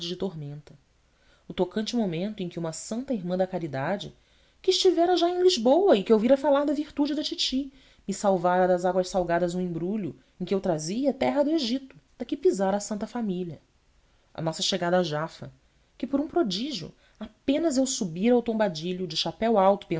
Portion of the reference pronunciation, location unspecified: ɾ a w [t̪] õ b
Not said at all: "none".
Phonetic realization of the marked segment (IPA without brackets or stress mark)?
t̪